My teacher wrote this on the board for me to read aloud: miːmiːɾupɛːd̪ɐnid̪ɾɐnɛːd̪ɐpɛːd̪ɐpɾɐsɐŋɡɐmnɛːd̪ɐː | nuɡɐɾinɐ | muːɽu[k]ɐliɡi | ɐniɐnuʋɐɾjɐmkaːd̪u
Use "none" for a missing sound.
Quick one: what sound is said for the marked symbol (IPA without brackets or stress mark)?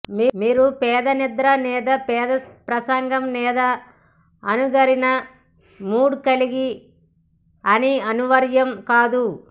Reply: k